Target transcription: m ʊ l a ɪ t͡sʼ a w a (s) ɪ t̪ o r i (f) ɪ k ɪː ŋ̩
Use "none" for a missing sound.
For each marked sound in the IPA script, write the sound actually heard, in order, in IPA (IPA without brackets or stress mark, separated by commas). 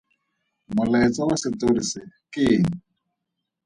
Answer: s, s